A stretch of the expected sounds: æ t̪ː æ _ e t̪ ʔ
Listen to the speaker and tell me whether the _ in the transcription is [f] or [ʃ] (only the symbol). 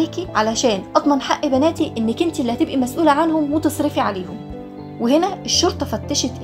ʃ